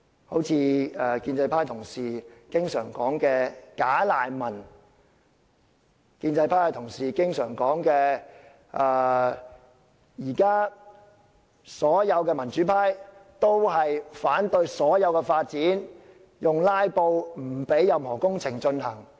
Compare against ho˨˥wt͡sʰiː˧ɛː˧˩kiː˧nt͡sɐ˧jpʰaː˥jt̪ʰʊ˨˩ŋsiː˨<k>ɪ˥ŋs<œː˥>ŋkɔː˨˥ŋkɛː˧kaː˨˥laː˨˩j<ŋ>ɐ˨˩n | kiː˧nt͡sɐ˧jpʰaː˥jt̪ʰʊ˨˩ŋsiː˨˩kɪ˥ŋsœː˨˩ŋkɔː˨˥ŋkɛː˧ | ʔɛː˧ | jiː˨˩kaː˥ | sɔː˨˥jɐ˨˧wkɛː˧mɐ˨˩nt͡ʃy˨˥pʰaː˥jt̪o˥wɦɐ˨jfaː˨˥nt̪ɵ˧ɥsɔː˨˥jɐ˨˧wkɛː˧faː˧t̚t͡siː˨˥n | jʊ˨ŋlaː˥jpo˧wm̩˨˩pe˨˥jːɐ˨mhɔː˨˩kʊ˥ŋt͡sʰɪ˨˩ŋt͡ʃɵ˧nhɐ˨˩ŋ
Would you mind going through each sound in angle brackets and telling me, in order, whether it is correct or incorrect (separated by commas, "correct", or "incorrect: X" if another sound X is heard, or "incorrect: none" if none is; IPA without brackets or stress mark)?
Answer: correct, incorrect: œː˨˩, incorrect: m